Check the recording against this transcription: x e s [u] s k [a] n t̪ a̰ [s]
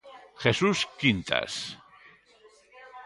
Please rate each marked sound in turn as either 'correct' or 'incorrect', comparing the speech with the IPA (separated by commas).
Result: correct, incorrect, correct